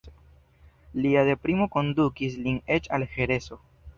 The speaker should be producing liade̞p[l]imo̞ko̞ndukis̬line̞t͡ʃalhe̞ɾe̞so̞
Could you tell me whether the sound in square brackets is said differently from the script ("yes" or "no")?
yes